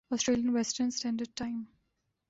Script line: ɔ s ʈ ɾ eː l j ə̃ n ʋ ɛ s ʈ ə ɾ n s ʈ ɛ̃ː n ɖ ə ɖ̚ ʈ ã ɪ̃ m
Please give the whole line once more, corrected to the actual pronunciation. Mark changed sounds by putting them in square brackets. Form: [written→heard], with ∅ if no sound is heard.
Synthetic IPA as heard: ɔ s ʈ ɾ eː l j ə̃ n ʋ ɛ s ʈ ə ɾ n s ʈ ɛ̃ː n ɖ ə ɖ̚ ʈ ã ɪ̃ m